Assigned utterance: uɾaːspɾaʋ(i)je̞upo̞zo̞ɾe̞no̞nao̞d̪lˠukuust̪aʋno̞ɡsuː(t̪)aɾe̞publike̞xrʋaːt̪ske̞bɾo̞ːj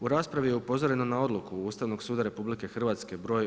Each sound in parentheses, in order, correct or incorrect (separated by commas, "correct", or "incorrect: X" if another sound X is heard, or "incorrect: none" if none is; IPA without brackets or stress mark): correct, incorrect: d̪